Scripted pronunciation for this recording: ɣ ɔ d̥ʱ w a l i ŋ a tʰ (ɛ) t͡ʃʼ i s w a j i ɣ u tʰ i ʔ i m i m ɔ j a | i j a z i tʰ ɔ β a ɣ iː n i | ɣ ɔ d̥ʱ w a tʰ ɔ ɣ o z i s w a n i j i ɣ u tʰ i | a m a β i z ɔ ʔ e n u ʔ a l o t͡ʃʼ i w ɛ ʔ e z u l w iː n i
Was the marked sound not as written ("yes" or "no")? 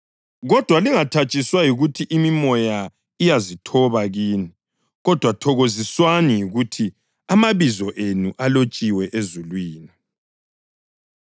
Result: yes